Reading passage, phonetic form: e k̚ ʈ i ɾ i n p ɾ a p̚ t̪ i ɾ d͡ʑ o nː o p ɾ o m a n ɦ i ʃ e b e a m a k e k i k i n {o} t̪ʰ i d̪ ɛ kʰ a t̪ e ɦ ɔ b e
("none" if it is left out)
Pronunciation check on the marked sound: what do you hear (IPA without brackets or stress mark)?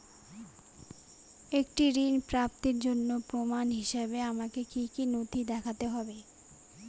o